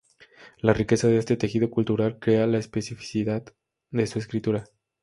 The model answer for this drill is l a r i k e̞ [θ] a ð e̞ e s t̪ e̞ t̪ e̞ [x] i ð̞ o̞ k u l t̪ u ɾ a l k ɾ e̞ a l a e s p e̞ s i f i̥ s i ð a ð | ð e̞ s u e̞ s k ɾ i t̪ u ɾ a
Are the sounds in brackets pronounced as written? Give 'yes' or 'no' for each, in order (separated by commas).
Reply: no, yes